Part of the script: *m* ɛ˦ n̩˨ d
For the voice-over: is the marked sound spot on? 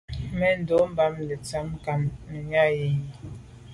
yes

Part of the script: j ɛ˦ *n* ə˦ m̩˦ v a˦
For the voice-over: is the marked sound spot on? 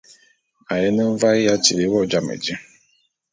yes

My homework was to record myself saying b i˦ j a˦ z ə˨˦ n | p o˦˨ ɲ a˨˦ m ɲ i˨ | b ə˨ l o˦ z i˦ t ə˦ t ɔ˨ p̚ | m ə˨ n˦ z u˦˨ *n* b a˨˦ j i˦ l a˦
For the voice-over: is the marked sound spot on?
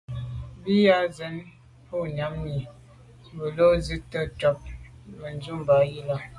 no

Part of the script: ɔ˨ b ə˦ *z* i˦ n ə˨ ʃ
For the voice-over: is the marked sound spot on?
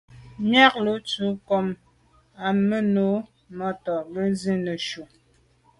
yes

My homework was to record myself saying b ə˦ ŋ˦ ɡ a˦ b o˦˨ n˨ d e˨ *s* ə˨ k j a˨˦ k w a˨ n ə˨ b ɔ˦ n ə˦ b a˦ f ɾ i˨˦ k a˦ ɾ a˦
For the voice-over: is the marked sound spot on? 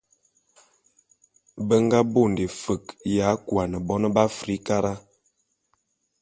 no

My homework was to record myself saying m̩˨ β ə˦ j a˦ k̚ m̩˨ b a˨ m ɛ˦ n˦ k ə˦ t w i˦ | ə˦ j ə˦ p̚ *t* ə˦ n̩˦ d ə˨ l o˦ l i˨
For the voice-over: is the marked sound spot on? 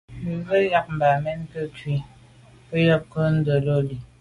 no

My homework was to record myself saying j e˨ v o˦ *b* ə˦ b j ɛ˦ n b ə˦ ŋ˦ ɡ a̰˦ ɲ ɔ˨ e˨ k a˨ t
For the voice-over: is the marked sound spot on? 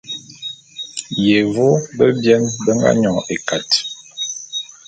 yes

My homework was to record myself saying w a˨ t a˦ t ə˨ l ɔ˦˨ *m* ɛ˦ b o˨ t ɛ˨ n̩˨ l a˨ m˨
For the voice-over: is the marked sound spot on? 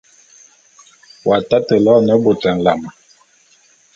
no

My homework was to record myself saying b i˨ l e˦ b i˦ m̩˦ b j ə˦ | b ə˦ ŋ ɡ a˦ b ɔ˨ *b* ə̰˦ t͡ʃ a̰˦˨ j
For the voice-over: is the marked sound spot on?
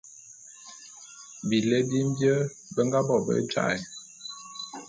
yes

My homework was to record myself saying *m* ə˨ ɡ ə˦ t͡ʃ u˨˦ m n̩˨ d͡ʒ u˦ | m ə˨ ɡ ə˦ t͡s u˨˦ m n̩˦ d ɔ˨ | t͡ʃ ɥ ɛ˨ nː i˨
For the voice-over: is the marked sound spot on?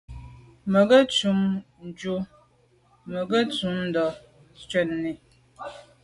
yes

